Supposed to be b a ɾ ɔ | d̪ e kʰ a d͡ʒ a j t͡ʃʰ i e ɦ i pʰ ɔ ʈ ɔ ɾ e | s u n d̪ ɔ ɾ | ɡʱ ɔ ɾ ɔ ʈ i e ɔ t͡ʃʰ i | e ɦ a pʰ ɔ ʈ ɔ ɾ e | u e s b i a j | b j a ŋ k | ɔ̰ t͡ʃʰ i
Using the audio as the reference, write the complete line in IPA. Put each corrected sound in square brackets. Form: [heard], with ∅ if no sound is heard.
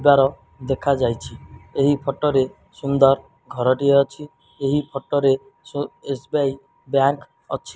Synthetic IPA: b a ɾ ɔ | d̪ e kʰ a d͡ʒ a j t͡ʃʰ i e ɦ i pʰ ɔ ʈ ɔ ɾ e | s u n d̪ ɔ ɾ | ɡʱ ɔ ɾ ɔ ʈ i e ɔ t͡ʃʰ i | e ɦ [i] pʰ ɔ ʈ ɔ ɾ e | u e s b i a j | b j a ŋ k | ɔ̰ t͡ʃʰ i